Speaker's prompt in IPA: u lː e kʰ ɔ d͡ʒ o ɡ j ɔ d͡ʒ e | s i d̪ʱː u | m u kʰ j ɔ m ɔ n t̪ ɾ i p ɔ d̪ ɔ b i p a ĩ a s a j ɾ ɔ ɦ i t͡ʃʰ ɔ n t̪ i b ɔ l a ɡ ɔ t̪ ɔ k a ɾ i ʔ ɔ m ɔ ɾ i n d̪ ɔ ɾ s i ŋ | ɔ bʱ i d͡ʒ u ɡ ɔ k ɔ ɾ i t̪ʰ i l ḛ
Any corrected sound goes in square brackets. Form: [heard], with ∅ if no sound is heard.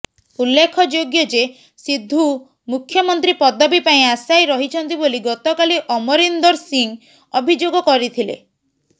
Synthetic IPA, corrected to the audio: u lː e kʰ ɔ d͡ʒ o ɡ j ɔ d͡ʒ e | s i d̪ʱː u | m u kʰ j ɔ m ɔ n t̪ ɾ i p ɔ d̪ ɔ b i p a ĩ a s a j ɾ ɔ ɦ i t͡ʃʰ ɔ n t̪ i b [o] l [i] ɡ ɔ t̪ ɔ k a [l] i ʔ ɔ m ɔ ɾ i n d̪ ɔ ɾ s i ŋ | ɔ bʱ i d͡ʒ [o] ɡ ɔ k ɔ ɾ i t̪ʰ i l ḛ